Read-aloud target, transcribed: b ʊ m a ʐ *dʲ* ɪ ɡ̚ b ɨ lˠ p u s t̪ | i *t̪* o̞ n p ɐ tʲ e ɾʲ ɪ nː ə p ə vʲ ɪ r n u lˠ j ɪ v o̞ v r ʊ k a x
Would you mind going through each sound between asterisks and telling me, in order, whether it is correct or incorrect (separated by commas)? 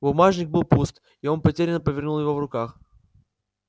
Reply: incorrect, incorrect